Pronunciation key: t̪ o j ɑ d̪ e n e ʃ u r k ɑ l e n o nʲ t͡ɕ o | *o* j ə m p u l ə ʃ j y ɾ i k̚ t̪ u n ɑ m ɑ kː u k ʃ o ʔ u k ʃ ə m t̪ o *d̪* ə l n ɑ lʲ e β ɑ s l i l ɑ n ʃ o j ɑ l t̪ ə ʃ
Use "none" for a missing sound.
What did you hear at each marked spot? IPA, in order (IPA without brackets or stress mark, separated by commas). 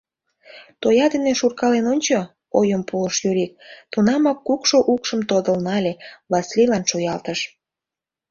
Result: o, d̪